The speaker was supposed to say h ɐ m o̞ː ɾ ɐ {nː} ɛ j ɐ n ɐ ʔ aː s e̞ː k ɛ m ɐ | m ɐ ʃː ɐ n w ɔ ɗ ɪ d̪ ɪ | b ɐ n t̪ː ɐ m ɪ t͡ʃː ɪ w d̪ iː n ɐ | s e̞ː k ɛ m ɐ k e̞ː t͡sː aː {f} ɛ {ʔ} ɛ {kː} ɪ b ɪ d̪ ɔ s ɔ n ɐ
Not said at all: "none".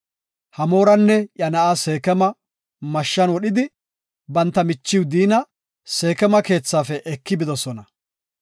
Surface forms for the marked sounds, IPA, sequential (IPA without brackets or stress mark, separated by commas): nː, f, ʔ, kː